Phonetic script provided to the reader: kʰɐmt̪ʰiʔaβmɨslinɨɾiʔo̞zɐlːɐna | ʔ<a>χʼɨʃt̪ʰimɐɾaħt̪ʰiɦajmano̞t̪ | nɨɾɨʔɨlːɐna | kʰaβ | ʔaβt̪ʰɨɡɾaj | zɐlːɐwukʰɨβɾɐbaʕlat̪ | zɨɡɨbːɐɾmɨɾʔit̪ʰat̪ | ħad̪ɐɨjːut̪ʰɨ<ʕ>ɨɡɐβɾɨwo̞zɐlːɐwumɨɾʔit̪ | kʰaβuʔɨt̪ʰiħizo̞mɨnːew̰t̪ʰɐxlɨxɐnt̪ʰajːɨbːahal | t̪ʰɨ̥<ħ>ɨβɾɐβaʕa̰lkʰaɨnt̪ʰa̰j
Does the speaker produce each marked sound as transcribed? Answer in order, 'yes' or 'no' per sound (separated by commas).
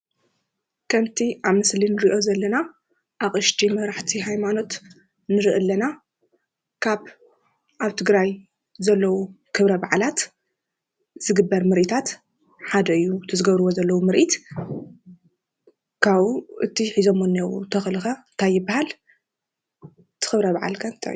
yes, no, no